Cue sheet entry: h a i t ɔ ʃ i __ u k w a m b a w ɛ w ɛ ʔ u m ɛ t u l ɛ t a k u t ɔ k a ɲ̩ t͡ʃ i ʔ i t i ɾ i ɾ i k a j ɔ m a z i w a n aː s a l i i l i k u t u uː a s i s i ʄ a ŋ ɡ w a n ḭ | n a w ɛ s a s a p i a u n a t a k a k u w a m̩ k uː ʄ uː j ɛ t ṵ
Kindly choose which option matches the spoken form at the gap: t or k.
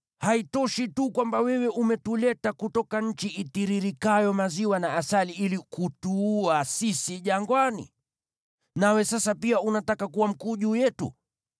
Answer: t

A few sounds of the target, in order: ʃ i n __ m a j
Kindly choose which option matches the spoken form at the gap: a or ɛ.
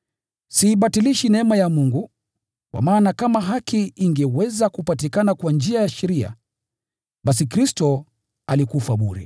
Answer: ɛ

